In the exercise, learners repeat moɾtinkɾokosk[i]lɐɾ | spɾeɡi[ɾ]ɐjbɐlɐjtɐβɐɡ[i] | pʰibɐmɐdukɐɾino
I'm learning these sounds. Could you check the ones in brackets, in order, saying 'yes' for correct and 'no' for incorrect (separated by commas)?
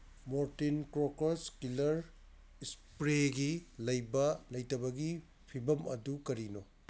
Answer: yes, no, yes